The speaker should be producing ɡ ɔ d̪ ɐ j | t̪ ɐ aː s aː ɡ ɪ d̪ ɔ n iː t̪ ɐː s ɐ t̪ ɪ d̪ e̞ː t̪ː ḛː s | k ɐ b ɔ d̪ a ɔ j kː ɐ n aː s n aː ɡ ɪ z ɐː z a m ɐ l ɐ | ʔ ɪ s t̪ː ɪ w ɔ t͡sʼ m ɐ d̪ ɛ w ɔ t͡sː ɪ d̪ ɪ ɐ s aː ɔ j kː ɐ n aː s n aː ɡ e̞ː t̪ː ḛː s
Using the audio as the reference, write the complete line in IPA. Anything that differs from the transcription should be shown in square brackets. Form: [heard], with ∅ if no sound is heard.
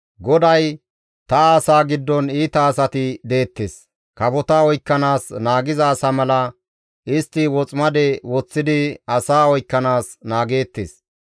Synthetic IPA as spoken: ɡ ɔ d̪ ɐ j | t̪ ɐ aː s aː ɡ ɪ [d̪ː] ɔ n iː t̪ ɐː s ɐ t̪ ɪ d̪ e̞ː t̪ː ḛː s | k ɐ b ɔ [t̪] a ɔ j kː ɐ n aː s n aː ɡ ɪ z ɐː [s] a m ɐ l ɐ | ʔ ɪ s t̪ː ɪ w ɔ t͡sʼ m ɐ d̪ ɛ w ɔ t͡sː ɪ d̪ ɪ ɐ s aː ɔ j kː ɐ n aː s n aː ɡ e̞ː t̪ː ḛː s